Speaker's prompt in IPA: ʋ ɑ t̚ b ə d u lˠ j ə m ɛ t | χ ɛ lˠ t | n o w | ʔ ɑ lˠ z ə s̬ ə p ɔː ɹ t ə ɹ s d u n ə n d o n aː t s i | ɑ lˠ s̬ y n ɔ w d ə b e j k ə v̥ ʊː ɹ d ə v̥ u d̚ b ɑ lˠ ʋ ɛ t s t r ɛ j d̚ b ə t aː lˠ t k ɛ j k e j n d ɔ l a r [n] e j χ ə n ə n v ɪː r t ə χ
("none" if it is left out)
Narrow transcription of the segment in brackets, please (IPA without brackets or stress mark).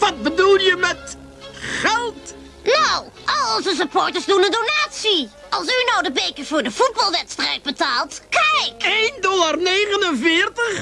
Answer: n